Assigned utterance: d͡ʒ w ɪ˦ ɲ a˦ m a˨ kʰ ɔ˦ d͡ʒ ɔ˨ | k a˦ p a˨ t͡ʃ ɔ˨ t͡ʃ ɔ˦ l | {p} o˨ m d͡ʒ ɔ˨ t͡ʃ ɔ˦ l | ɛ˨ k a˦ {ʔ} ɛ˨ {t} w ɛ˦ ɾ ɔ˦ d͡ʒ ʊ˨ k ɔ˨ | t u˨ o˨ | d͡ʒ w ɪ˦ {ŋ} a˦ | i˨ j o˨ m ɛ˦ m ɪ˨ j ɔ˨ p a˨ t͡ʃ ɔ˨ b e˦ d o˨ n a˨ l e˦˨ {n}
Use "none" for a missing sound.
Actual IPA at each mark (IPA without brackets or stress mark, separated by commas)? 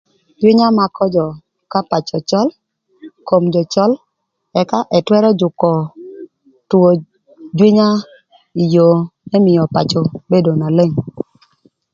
k, ʔ, t, ɲ, ŋ